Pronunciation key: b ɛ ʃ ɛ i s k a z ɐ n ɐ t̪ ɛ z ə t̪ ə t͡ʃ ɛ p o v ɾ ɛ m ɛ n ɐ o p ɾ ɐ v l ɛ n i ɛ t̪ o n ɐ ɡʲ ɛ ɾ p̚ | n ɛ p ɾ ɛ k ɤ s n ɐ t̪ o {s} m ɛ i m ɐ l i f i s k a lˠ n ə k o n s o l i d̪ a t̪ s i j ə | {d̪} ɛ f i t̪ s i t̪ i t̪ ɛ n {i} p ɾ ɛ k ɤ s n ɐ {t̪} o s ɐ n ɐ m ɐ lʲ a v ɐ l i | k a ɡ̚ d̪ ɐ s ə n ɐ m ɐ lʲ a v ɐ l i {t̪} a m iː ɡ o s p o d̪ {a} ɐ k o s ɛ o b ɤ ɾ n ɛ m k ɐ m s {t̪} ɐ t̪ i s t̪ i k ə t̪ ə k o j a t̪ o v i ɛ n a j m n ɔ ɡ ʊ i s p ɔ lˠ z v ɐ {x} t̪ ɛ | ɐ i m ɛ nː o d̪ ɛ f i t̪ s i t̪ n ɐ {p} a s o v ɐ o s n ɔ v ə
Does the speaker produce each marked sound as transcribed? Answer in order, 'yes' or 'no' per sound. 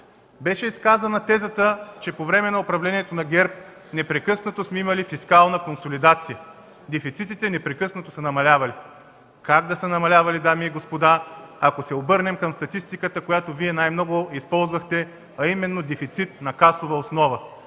yes, yes, no, yes, no, yes, yes, yes, no

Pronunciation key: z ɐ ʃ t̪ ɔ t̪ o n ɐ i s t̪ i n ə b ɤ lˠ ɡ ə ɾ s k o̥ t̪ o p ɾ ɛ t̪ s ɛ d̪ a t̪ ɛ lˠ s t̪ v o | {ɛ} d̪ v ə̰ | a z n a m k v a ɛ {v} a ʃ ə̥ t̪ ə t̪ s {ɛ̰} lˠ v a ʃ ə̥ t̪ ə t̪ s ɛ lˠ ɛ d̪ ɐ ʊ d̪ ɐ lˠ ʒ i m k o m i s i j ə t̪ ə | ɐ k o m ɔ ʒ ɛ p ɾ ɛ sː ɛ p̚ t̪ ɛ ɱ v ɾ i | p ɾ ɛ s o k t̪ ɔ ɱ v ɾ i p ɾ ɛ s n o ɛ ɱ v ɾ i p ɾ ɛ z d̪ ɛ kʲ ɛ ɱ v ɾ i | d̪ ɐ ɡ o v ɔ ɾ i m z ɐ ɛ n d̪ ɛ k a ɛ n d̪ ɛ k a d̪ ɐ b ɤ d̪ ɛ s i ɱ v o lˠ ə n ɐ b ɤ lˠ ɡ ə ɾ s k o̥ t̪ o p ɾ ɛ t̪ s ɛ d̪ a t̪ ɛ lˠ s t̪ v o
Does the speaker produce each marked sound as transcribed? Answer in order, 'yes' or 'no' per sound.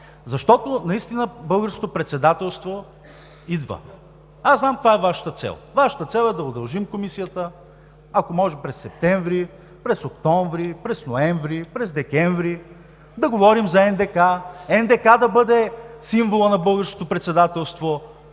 no, yes, yes

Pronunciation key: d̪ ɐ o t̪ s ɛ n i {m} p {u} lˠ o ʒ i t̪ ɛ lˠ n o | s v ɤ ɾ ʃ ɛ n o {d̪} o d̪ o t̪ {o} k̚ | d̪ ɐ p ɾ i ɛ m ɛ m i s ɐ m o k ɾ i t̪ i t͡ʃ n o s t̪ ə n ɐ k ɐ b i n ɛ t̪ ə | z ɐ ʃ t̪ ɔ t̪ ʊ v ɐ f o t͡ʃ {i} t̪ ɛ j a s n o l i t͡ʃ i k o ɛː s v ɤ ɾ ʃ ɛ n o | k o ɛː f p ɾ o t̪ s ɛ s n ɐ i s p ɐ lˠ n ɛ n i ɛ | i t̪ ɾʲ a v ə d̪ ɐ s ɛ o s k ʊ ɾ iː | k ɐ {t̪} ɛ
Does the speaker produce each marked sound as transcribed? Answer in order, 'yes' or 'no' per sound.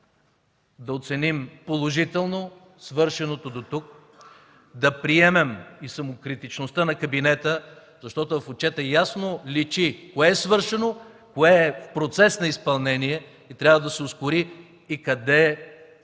yes, no, no, no, no, no

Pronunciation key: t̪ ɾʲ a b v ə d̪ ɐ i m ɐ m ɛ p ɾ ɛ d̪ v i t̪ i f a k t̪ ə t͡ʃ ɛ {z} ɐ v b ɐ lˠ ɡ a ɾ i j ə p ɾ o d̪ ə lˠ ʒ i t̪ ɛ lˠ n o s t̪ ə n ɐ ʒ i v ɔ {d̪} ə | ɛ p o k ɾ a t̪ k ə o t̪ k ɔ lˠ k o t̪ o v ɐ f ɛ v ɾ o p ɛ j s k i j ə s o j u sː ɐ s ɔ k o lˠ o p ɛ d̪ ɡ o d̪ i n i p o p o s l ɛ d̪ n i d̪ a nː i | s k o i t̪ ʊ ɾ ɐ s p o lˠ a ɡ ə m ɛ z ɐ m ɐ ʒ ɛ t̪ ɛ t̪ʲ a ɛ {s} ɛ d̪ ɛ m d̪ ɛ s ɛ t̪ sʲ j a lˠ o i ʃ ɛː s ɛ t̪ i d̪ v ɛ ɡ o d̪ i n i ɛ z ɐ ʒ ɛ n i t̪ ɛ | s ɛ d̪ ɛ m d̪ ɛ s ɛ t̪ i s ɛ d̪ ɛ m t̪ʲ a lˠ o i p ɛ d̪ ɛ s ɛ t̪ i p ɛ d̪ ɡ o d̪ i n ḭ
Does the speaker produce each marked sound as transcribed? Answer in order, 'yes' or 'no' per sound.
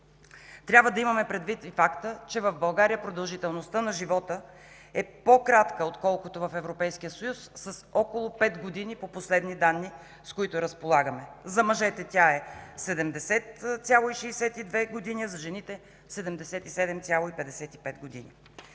no, no, yes

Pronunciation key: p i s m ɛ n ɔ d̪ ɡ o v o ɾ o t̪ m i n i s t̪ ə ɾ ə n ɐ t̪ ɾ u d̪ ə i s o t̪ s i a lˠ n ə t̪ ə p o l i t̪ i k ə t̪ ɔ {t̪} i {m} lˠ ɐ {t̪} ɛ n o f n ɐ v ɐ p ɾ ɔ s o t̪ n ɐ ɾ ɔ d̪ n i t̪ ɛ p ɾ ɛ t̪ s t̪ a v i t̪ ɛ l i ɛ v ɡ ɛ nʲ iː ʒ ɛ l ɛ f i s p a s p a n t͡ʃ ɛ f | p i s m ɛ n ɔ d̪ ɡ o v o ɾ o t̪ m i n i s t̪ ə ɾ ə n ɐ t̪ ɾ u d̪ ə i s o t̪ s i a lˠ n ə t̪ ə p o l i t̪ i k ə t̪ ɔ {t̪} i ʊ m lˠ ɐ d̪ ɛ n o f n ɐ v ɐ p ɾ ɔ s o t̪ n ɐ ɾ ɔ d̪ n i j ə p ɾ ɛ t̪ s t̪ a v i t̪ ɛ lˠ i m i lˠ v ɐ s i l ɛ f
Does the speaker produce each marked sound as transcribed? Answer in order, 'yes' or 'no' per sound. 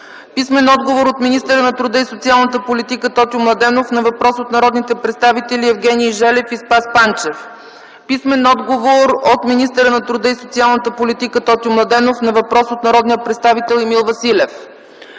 yes, yes, no, yes

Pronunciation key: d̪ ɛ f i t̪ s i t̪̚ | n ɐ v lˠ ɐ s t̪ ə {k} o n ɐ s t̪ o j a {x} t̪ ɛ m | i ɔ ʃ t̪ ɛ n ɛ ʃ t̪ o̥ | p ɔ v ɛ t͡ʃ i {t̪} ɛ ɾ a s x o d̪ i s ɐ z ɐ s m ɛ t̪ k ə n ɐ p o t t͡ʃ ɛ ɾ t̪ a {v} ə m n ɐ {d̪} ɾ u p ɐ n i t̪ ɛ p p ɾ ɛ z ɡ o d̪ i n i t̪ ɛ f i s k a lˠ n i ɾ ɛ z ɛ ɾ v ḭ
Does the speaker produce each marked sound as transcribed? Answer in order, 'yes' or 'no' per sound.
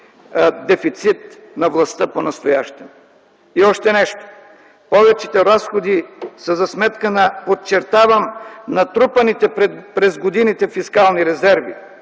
no, no, yes, yes, no

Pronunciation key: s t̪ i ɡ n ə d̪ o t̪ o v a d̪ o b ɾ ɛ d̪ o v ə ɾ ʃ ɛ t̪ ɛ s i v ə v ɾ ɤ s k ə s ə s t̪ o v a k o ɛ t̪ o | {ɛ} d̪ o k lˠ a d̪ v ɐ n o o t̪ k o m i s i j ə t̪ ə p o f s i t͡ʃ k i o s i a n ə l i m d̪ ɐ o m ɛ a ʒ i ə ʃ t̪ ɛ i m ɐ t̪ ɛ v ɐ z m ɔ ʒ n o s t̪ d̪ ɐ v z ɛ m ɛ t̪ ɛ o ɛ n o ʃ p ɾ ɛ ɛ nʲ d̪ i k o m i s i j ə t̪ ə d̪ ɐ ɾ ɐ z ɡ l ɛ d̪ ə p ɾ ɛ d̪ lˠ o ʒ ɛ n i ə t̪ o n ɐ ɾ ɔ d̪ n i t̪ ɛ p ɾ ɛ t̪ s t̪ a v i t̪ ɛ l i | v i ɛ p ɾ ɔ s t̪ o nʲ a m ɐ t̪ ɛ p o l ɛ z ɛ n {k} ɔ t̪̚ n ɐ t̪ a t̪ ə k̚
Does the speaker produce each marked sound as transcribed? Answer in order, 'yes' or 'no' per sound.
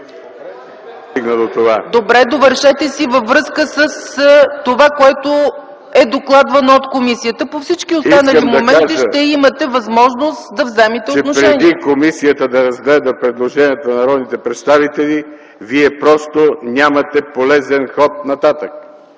yes, no

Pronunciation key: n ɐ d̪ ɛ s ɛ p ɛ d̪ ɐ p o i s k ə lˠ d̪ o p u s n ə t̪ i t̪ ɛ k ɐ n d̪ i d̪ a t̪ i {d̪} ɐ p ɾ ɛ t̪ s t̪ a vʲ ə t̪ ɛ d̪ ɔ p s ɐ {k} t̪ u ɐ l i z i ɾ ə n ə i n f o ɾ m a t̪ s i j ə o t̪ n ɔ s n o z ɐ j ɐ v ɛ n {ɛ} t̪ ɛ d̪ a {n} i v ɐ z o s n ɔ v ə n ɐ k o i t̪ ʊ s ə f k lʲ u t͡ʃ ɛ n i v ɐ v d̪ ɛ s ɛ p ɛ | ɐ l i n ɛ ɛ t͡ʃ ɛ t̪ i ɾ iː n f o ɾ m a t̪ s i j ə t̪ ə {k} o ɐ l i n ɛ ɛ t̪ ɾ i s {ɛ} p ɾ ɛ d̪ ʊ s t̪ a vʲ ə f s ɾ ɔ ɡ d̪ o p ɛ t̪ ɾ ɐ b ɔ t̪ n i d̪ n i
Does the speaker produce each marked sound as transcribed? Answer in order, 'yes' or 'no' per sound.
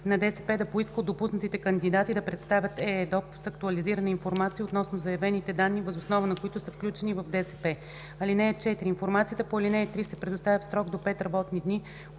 yes, yes, no, no, no, yes

